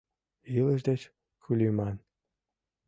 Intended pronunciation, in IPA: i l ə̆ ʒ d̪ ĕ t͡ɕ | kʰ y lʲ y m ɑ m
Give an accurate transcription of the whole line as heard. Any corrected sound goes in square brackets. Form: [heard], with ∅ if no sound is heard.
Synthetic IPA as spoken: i l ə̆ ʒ d̪ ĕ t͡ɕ | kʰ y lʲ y m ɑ [n]